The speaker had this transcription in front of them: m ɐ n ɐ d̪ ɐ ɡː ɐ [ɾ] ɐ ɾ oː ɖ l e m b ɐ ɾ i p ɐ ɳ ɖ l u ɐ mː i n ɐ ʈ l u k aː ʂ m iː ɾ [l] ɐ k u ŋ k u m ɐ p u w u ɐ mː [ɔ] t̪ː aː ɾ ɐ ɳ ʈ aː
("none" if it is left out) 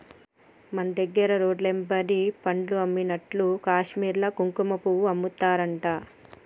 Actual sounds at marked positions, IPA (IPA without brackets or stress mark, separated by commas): ɾ, l, u